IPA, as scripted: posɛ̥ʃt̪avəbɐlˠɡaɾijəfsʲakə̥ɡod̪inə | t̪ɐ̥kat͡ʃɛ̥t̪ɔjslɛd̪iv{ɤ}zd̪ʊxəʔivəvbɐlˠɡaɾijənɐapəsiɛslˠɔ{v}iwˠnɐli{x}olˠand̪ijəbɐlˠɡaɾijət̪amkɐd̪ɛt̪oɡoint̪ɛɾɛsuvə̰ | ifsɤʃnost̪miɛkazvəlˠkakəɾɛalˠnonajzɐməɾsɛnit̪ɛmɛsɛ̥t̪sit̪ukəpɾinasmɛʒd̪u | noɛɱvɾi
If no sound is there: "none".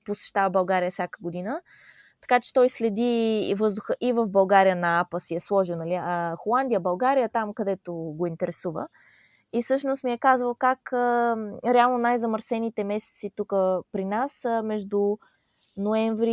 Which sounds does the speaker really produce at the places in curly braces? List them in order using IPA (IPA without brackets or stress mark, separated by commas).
ɤ, ʒ, x